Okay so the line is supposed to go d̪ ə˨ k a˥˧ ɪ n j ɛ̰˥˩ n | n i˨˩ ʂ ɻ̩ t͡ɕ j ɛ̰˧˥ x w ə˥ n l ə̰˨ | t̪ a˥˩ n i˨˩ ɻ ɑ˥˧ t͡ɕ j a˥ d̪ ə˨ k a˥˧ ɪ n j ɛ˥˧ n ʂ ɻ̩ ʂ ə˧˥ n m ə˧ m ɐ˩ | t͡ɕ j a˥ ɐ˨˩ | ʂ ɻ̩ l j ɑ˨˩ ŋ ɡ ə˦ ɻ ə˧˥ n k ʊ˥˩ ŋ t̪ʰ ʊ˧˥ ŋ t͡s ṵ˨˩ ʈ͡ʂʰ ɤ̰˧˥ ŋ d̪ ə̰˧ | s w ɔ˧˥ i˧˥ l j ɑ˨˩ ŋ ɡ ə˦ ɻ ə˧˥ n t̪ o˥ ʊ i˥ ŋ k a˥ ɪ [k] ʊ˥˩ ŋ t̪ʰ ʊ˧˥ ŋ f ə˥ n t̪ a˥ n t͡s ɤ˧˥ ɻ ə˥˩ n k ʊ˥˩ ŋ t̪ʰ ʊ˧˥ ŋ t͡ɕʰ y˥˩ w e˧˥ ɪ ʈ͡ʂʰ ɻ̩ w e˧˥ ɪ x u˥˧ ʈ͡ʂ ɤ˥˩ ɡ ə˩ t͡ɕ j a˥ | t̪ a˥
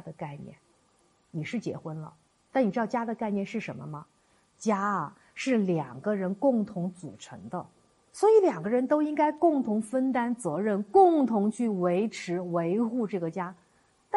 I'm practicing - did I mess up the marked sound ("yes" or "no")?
no